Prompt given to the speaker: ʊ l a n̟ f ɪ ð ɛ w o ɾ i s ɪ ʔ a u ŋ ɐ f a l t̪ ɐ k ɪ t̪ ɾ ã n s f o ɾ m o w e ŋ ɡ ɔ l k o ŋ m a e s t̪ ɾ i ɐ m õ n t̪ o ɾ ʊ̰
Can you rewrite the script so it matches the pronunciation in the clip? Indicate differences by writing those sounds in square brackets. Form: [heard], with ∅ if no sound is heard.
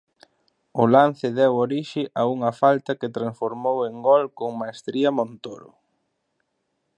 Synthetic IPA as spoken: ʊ l a n̟ [θ] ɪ ð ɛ w o ɾ i [ʃ] ɪ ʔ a u ŋ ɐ f a l t̪ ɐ k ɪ t̪ ɾ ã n s f o ɾ m o w e ŋ ɡ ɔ l k o ŋ m a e s t̪ ɾ i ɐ m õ n t̪ o ɾ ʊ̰